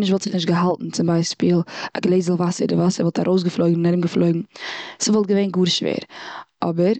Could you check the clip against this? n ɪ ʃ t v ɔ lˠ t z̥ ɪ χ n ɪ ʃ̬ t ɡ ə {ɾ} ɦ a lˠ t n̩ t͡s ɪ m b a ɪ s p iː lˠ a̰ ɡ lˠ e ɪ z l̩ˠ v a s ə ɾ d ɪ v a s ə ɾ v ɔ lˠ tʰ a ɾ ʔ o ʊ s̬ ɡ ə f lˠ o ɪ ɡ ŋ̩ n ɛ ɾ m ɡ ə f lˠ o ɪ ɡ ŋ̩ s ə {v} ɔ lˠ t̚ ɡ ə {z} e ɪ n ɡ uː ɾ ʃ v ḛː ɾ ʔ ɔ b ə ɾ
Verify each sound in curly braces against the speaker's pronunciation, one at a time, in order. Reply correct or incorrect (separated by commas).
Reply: incorrect, correct, incorrect